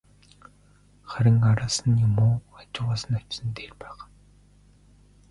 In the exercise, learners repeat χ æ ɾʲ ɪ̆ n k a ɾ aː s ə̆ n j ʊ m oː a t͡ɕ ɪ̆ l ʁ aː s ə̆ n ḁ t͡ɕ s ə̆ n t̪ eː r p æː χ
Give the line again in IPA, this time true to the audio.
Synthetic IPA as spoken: χ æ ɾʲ ɪ̆ ŋ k a ɾ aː s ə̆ n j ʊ m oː a t͡ɕ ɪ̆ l ʁ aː s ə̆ n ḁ t͡ɕ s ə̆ n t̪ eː r p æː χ